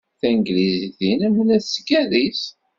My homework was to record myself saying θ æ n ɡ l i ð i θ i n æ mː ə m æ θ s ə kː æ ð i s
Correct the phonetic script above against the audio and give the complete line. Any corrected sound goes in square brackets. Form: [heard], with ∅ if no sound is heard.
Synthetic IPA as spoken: θ æ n ɡ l i [z] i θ i n æ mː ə [n] æ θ s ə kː æ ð i s